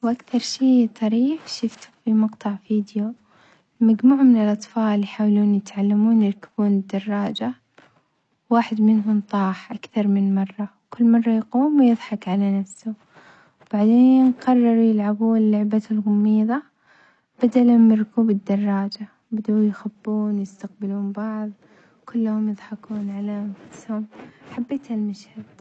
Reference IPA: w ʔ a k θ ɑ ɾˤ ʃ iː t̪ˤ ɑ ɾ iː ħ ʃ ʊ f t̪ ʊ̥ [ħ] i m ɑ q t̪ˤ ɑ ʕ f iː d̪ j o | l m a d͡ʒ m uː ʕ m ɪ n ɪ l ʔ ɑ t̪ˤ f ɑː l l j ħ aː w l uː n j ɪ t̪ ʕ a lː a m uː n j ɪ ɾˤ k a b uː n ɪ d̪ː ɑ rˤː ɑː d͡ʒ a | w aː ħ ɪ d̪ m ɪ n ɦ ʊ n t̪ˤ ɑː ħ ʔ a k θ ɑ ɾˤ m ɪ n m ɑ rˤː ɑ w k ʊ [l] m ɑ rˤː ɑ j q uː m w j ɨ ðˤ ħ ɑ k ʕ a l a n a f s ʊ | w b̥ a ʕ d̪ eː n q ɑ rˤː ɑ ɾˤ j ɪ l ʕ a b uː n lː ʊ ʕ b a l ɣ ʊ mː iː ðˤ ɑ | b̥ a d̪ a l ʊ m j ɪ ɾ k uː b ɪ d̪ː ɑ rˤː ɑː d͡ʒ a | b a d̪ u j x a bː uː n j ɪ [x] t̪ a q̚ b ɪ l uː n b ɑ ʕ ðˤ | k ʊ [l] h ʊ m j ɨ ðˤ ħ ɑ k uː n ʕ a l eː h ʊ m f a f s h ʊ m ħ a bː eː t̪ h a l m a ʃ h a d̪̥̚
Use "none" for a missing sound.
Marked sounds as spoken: f, lː, s, lː

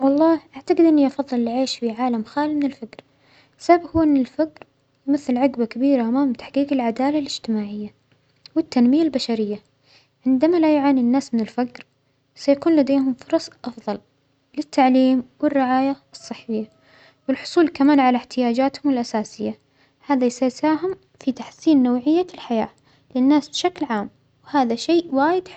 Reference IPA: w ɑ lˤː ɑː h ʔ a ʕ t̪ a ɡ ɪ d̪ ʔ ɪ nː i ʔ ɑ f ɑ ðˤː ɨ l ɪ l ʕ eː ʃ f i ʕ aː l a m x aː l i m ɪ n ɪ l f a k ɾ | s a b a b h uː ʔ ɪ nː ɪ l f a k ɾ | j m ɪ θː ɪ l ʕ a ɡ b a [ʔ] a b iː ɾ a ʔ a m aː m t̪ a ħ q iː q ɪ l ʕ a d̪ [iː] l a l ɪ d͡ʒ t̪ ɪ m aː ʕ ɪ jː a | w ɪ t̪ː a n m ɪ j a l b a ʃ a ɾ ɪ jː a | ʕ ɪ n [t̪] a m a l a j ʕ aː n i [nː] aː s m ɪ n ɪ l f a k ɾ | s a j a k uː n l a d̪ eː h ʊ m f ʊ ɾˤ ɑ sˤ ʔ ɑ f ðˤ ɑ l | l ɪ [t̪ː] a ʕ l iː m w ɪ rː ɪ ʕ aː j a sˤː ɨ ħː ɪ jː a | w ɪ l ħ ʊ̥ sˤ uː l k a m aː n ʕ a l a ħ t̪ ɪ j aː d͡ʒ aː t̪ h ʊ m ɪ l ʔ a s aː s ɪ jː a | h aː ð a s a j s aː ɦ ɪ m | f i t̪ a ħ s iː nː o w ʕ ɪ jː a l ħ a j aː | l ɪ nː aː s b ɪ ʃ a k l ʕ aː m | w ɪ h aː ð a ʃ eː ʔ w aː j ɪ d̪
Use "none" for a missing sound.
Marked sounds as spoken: k, aː, d̪, nː, t̪ː

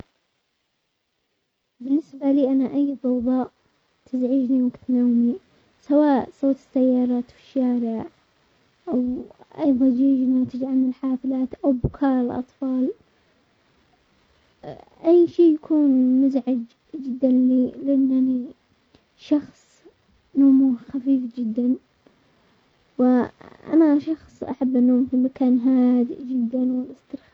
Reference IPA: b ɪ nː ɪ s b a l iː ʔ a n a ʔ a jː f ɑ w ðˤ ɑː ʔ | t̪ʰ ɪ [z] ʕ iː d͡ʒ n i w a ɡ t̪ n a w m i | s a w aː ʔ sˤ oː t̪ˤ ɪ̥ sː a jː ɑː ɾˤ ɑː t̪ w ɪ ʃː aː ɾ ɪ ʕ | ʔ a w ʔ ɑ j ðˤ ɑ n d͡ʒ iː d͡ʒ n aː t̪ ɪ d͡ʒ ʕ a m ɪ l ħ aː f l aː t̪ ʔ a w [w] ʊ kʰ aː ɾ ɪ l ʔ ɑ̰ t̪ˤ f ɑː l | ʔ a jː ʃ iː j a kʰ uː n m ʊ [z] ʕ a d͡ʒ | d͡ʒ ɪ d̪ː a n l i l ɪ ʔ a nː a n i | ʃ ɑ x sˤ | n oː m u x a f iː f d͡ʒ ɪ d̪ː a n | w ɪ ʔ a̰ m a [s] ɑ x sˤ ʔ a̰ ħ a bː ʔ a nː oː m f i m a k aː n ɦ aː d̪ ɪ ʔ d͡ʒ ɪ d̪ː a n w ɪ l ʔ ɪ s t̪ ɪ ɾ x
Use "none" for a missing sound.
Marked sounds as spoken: z, b, z, ʃ

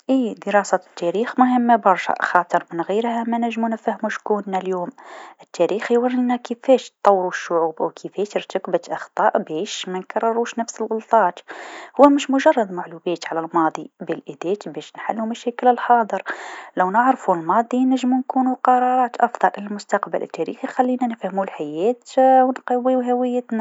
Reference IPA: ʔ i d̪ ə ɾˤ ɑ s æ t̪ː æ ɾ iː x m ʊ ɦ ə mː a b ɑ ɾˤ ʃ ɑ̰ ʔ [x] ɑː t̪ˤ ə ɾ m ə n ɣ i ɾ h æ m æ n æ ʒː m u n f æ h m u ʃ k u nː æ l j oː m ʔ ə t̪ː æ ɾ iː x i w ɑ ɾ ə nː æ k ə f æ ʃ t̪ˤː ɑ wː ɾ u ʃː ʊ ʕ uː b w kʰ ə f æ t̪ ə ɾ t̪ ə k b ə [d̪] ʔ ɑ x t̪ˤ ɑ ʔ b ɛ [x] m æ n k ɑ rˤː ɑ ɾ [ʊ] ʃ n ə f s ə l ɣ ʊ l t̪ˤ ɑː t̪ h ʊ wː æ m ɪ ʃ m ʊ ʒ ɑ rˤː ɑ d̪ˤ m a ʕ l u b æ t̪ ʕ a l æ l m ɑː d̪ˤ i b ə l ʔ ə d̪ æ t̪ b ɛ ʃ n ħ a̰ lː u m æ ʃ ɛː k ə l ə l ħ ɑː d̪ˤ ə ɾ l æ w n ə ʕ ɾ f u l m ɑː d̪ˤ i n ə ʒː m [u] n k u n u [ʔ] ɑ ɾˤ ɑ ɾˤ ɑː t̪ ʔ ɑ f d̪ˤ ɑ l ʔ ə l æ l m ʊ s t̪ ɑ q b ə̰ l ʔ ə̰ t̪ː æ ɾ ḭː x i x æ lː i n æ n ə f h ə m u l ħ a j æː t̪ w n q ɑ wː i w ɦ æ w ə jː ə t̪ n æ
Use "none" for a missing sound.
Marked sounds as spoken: x, t̪, ʃ, u, u, q

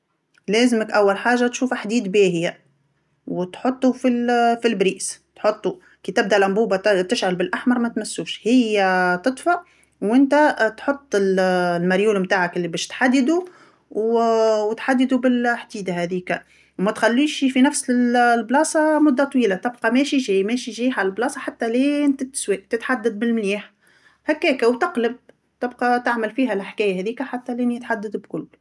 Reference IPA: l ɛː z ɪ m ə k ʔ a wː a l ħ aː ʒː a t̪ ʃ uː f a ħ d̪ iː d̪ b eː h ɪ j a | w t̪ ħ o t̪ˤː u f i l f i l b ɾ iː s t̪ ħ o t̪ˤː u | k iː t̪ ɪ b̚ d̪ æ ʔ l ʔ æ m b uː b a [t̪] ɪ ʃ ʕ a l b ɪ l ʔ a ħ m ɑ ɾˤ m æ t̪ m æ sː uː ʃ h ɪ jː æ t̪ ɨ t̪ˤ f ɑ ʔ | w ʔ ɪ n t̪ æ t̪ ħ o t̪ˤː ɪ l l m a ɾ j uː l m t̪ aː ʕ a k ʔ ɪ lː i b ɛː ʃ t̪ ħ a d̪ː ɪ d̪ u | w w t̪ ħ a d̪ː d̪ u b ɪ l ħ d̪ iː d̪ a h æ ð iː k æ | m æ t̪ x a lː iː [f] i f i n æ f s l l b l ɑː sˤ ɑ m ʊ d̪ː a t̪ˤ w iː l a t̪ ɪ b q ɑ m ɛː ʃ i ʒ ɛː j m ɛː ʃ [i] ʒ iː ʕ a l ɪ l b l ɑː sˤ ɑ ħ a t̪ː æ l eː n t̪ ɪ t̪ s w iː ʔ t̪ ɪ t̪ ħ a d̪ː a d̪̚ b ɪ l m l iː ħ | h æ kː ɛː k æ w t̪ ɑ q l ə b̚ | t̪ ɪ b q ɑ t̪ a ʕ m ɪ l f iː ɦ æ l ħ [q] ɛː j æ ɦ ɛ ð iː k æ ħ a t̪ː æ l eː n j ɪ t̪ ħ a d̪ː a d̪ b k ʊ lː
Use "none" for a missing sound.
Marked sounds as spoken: t̪, ʃ, i, k

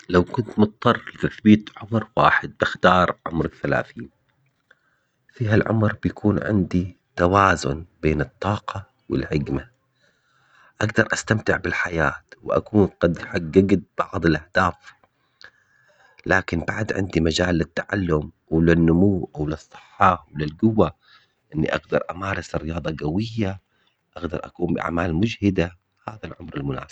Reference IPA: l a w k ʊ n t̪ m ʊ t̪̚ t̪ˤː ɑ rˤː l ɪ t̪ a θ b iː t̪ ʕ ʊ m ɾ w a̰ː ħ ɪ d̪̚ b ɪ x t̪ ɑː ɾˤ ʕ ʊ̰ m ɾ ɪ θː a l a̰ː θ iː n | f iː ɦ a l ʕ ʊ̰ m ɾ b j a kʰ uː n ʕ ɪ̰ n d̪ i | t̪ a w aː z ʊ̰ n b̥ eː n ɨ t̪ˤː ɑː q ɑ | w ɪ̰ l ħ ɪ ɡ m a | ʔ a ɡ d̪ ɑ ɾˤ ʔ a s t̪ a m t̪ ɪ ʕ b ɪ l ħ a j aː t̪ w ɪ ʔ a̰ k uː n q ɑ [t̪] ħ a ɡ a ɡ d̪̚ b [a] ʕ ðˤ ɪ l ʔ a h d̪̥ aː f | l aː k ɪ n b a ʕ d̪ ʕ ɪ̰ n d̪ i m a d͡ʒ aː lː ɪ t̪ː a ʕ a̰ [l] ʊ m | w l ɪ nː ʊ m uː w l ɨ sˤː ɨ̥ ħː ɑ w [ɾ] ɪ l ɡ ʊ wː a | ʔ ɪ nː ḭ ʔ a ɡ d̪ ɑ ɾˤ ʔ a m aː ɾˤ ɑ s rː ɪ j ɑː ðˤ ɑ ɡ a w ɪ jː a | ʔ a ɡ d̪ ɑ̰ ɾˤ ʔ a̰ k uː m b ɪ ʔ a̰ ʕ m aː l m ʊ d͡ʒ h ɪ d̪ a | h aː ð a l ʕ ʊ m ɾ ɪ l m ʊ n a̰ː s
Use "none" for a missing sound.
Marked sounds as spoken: d̪, ɑ, lː, l

